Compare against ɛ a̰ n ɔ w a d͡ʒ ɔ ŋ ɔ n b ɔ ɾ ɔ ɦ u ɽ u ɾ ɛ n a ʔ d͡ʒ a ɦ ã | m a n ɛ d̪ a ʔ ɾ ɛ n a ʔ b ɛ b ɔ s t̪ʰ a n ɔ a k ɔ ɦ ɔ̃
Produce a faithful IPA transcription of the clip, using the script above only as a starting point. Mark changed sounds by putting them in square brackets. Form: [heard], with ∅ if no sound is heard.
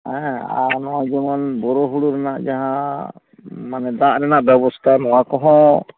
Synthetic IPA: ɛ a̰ n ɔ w a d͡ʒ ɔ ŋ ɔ n b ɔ ɾ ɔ ɦ u ɽ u ɾ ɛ n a ʔ d͡ʒ a ɦ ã | m a n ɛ d̪ a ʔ ɾ ɛ n a ʔ b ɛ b ɔ s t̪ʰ a n ɔ a k ɔ ɦ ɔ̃